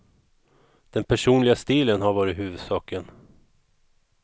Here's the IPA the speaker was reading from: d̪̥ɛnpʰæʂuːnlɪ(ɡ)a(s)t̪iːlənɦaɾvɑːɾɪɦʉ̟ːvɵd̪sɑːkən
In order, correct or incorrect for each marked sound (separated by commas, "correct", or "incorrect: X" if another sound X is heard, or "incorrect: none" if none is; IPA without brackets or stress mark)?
correct, correct